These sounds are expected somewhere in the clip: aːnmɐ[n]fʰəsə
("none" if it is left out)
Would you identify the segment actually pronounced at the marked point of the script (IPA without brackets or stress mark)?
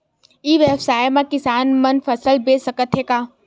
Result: n